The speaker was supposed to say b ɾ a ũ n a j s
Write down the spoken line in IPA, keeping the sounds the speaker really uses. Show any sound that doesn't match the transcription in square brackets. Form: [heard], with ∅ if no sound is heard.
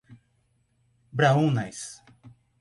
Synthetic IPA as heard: b ɾ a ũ n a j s